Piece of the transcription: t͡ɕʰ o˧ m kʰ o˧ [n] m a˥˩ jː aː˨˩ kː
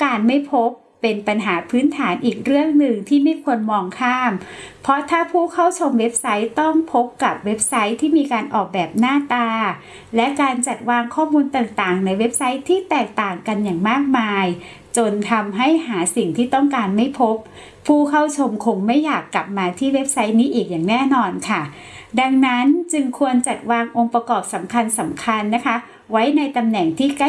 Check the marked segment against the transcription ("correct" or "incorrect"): incorrect